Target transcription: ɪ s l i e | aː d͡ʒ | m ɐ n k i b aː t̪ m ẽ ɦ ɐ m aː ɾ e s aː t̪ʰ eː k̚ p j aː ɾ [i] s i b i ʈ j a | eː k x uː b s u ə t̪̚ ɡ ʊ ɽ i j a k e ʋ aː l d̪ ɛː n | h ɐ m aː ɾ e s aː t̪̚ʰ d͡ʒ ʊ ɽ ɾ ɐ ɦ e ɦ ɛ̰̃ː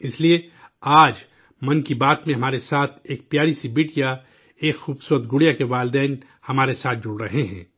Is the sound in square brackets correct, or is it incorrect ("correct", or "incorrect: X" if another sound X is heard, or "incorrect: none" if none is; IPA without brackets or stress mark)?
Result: correct